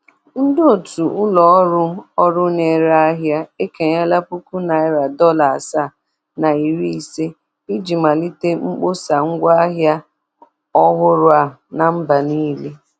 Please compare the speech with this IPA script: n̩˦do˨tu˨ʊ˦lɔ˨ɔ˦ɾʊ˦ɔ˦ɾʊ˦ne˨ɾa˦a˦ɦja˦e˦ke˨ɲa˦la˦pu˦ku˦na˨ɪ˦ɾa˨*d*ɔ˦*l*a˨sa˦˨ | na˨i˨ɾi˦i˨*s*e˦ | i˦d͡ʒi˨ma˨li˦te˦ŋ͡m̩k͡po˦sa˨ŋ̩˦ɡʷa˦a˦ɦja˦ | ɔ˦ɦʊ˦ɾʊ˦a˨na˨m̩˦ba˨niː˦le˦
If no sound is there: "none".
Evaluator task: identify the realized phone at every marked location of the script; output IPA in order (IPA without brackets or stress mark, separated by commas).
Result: d, l, s